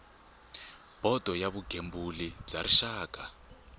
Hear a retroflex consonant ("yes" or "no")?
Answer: yes